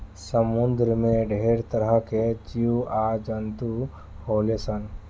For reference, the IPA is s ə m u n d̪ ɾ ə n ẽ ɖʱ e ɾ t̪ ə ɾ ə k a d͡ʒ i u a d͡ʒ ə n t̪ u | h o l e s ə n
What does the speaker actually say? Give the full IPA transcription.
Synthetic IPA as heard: s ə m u n d̪ ɾ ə m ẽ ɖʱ e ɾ t̪ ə ɾ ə k e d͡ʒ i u a d͡ʒ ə n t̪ u | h o l e s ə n